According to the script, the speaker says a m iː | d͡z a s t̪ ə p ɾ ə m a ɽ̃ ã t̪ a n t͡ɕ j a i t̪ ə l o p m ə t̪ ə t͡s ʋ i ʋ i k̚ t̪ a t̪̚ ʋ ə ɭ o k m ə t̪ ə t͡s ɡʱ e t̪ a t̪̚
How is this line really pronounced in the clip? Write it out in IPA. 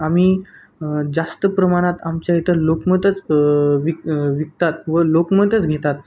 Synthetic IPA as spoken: a m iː | d͡z a s t̪ ə p ɾ ə m a ɽ̃ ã t̪ a m t͡ɕ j a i t̪ ə l o k m ə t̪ ə t͡s ʋ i ʋ i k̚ t̪ a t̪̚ ʋ ə l o k m ə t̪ ə t͡s ɡʱ e t̪ a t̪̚